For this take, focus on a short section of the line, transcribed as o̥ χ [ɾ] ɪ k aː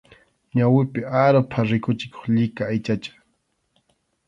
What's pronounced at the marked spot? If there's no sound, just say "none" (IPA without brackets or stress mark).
ʎ